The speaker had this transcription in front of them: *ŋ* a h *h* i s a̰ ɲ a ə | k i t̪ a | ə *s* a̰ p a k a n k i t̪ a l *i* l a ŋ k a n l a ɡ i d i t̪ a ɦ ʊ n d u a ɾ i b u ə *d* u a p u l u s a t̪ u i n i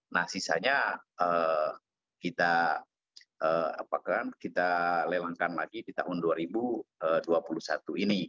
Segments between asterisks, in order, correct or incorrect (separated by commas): incorrect, incorrect, incorrect, incorrect, correct